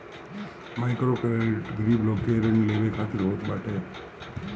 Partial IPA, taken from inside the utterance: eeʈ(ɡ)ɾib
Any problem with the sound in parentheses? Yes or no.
no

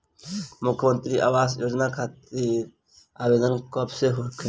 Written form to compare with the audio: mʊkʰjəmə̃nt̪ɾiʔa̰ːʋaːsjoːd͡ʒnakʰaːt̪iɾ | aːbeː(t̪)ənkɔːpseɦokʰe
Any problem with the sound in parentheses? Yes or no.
yes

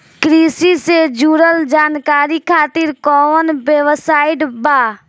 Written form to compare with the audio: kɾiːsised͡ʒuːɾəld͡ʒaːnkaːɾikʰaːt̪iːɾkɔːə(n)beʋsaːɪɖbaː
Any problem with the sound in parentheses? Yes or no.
no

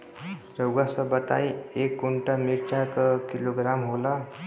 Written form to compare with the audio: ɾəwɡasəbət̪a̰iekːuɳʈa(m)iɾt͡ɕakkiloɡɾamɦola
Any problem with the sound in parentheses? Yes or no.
no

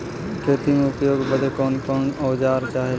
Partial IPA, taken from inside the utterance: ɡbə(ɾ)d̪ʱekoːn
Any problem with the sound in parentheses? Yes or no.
yes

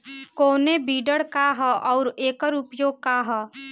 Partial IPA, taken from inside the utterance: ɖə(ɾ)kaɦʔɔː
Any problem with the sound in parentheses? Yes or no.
yes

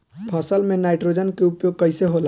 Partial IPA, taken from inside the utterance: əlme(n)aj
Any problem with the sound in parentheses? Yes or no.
no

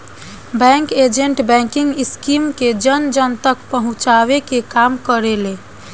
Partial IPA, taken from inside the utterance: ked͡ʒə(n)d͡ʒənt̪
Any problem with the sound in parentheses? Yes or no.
no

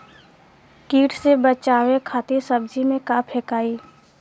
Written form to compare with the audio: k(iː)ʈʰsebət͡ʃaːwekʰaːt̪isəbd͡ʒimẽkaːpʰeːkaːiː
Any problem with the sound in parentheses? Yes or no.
no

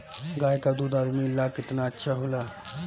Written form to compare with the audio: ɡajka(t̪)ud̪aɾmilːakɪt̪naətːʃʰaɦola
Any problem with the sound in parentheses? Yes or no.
yes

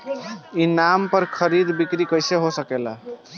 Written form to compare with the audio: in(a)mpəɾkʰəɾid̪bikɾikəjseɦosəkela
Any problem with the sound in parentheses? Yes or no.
no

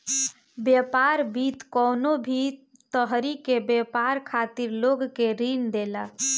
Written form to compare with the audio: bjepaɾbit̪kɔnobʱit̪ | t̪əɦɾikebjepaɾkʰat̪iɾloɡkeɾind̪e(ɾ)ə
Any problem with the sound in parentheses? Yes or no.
yes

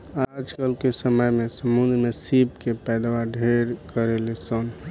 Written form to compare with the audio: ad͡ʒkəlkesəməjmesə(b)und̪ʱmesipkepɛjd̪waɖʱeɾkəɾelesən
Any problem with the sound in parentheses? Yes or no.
yes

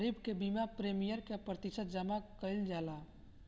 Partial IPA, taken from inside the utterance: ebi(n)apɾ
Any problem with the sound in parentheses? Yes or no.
yes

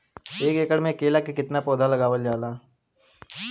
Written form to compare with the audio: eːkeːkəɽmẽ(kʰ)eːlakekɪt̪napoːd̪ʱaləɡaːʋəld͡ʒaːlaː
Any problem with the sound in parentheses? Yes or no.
yes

